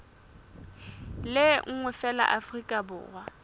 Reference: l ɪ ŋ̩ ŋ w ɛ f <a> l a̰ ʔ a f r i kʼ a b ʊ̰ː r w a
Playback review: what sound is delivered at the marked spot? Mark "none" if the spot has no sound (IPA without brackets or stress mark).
ɛ